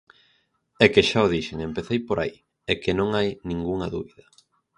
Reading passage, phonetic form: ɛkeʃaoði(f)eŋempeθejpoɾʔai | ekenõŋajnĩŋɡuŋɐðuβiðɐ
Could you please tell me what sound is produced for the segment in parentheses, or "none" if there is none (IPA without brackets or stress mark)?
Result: ʃ